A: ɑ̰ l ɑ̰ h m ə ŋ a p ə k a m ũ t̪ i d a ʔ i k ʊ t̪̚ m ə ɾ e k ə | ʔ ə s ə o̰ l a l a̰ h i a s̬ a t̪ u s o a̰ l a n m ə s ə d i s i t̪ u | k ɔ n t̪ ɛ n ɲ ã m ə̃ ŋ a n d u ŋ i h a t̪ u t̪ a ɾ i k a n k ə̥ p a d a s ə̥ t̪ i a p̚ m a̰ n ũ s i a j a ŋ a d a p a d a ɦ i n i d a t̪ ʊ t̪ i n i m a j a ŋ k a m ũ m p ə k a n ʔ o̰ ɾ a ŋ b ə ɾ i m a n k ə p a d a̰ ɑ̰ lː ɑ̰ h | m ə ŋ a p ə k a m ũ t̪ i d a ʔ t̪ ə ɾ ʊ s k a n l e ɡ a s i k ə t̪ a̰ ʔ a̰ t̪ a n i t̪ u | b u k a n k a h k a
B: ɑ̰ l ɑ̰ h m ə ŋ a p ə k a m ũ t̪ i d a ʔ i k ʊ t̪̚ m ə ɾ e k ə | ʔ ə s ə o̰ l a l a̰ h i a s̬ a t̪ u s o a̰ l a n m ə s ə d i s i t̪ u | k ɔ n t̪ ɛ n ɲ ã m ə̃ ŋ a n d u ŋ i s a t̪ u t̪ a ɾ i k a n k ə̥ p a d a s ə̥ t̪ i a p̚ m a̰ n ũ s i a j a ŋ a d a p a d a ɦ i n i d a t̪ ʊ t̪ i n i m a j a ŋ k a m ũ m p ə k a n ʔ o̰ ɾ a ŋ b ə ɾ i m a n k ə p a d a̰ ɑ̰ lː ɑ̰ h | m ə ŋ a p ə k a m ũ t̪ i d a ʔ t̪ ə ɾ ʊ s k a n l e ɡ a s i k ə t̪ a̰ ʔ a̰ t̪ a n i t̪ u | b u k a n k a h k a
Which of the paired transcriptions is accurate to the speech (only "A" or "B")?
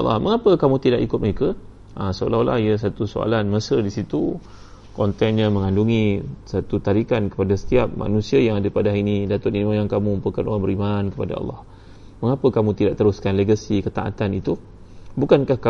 B